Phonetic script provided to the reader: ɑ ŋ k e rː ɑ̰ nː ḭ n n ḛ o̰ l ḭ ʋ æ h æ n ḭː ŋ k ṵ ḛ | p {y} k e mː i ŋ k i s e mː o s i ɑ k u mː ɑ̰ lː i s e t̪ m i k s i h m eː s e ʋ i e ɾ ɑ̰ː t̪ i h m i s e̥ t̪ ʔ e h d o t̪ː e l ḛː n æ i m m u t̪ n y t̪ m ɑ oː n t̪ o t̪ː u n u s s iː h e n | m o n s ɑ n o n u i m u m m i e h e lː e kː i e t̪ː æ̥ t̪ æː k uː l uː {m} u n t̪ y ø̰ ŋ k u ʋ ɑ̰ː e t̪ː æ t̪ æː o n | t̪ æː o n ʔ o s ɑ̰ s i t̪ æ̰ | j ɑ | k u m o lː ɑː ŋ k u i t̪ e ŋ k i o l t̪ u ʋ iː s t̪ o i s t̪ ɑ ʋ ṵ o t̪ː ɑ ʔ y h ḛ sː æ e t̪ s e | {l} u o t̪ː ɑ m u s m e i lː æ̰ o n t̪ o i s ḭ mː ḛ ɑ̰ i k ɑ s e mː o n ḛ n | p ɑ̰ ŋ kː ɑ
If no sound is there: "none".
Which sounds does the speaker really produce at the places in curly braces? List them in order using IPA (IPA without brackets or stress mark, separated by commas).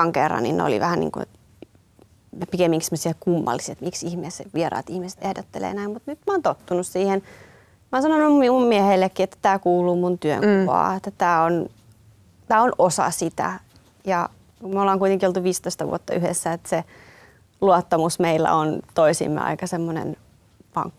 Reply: i, m, l